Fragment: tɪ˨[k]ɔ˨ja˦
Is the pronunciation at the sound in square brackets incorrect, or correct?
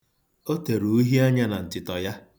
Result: incorrect